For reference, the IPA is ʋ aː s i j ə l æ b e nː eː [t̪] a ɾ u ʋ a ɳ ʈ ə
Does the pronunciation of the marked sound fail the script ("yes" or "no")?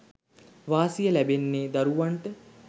yes